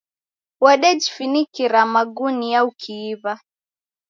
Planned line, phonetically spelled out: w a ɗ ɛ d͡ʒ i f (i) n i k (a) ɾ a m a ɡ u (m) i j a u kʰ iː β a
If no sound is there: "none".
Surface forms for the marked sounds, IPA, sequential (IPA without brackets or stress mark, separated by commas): i, i, n